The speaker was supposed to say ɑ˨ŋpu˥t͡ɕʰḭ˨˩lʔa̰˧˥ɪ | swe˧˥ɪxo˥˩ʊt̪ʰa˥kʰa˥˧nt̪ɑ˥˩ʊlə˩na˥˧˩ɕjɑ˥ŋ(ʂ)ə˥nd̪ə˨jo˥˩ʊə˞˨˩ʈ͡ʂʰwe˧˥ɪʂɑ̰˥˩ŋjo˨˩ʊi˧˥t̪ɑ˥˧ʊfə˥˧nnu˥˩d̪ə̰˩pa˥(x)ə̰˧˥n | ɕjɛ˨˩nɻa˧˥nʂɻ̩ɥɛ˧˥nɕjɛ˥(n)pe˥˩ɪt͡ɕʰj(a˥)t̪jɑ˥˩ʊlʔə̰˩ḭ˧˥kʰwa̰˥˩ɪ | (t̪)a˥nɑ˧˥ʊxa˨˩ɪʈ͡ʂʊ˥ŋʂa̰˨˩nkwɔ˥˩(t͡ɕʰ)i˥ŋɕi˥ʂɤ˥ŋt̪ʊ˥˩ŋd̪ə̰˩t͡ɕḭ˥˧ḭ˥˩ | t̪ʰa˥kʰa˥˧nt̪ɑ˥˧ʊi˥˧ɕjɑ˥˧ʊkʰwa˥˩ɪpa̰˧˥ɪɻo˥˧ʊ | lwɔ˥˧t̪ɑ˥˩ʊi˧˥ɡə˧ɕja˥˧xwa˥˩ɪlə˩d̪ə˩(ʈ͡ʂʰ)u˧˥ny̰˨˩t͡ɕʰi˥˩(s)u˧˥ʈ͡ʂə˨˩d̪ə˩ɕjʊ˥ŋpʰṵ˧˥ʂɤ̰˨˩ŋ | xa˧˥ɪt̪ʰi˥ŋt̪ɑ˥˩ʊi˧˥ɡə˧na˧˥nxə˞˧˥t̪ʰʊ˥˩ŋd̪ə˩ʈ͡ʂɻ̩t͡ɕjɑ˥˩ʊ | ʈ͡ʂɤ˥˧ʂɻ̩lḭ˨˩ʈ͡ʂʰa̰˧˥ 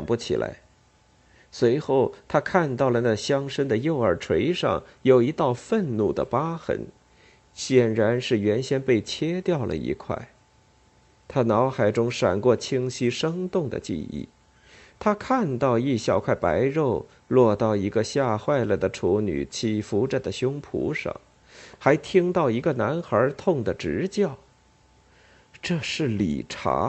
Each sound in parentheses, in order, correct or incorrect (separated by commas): correct, correct, correct, incorrect, incorrect, correct, correct, incorrect